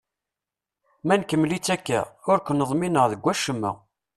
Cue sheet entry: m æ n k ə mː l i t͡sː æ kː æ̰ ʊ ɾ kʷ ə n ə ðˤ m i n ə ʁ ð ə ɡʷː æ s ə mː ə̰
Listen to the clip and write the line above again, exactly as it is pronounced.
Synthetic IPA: m æ n k ə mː l i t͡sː æ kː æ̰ ʊ ɾ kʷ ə n ə ðˤ m i n ə ʁ ð ə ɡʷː æ ʃ ə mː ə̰